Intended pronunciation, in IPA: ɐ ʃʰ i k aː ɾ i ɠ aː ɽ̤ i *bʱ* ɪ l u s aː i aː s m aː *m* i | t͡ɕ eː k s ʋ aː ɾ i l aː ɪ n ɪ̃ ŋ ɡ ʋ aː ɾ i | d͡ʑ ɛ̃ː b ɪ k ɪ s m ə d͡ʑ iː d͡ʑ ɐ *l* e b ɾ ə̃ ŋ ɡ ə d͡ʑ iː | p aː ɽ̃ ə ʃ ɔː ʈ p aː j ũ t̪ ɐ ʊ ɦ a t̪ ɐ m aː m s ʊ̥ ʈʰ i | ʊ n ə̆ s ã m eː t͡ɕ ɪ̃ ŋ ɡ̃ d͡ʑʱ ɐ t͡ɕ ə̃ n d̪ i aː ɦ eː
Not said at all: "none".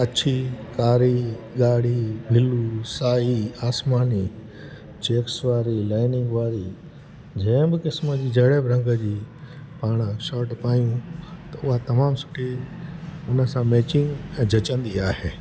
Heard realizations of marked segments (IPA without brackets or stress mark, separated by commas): bʱ, n, ɽ